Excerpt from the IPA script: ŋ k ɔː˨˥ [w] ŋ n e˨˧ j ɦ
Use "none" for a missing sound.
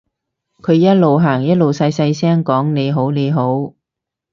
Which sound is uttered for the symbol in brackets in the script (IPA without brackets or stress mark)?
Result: none